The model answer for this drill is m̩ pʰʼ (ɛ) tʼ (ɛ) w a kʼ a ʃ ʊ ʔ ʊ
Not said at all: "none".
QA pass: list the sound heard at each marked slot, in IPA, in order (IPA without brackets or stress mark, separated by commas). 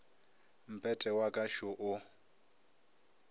ɛ, ɛ